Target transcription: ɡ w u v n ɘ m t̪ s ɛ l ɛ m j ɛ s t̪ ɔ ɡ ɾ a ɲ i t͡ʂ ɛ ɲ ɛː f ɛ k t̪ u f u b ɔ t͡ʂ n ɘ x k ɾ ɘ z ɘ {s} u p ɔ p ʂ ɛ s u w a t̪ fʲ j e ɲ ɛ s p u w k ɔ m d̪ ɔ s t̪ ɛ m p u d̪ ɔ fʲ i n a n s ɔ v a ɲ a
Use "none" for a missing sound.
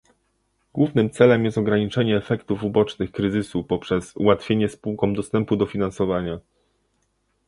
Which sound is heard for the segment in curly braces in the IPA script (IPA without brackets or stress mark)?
s